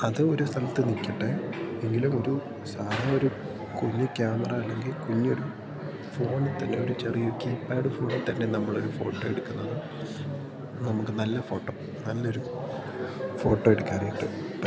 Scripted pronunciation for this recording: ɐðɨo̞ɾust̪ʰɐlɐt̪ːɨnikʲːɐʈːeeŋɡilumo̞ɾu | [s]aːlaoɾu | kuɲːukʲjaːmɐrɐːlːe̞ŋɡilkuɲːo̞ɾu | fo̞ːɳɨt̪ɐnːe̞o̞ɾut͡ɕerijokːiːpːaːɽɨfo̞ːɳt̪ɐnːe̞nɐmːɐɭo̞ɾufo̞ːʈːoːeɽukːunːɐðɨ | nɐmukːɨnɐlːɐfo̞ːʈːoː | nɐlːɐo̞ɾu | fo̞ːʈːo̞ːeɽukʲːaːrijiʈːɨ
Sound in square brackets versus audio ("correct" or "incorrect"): correct